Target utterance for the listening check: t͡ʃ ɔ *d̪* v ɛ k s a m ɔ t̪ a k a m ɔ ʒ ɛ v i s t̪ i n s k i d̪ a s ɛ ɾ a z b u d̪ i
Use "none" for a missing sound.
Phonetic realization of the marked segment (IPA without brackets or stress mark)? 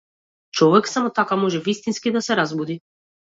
none